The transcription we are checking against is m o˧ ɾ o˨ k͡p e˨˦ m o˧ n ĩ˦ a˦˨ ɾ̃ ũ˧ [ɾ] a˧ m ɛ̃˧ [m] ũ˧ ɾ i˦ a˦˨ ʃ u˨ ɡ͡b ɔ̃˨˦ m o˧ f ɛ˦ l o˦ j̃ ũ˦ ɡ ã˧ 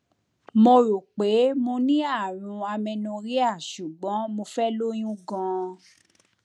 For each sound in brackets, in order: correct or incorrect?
incorrect: none, incorrect: n

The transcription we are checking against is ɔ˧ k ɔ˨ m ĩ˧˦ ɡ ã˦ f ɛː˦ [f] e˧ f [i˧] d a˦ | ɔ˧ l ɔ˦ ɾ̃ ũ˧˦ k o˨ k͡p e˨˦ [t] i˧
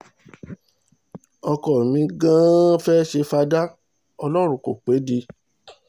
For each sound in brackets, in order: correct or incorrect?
incorrect: ʃ, incorrect: a˧, incorrect: d

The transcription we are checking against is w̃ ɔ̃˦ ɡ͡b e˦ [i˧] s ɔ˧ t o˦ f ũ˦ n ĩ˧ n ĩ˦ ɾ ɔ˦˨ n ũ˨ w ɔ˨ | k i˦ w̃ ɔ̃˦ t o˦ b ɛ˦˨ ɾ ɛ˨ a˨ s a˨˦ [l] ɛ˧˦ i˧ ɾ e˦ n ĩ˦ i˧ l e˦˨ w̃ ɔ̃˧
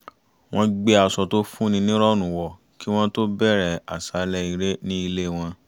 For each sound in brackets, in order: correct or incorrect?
incorrect: a˧, correct

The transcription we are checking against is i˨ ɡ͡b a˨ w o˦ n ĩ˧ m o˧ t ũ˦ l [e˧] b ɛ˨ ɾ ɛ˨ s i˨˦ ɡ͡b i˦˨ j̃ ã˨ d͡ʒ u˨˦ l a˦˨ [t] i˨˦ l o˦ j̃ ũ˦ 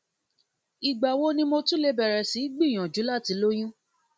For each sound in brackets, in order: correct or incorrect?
correct, correct

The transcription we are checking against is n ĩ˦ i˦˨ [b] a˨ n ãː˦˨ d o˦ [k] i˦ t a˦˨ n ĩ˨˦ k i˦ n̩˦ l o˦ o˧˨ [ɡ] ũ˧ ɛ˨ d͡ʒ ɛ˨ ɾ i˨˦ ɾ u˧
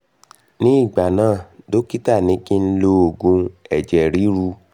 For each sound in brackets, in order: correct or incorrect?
incorrect: ɡ͡b, correct, correct

